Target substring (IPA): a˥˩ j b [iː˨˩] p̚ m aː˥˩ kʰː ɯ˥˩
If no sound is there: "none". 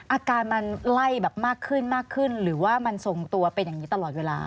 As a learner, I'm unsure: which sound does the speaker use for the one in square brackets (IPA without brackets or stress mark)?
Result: ɛː˨˩